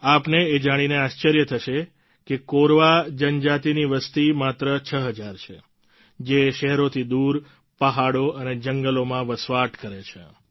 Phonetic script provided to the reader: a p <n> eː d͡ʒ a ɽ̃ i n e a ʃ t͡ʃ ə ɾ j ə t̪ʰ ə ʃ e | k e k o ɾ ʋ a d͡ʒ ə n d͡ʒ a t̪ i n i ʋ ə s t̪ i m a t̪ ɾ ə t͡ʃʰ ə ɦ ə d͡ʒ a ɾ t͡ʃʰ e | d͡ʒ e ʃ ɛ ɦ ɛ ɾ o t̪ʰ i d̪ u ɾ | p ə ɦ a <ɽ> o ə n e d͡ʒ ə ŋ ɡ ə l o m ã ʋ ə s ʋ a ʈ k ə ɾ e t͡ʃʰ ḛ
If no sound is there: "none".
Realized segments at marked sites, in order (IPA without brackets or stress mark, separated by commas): n, ɽ